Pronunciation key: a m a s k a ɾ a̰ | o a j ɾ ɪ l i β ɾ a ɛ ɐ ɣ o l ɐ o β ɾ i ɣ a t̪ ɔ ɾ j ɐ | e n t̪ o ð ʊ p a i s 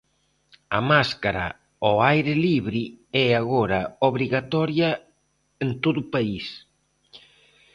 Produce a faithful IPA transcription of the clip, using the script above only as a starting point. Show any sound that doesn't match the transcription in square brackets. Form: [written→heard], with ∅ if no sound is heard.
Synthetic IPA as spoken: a m a s k a ɾ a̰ | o a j ɾ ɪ l i β ɾ [a→i] ɛ [ɐ→a] ɣ o [l→ɾ] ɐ o β ɾ i ɣ a t̪ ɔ ɾ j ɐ | e n t̪ o ð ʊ p a i s